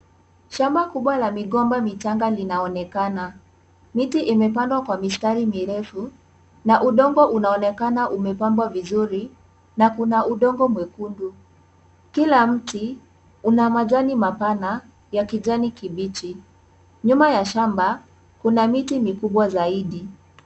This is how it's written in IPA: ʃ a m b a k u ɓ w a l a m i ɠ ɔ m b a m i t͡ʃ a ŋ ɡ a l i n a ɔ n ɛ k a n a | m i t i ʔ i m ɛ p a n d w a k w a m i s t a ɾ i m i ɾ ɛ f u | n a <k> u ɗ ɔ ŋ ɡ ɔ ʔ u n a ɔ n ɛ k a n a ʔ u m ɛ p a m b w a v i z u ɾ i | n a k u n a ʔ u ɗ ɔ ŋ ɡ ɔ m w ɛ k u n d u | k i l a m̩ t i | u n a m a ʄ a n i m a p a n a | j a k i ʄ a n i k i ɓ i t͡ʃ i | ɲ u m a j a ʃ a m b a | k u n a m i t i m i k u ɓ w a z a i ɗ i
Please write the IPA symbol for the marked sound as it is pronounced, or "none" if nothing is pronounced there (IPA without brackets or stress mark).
ʔ